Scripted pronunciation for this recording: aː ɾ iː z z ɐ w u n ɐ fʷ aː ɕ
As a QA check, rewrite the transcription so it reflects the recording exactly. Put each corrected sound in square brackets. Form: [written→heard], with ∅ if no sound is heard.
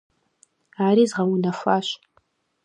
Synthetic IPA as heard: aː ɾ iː z [z→ʁ] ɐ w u n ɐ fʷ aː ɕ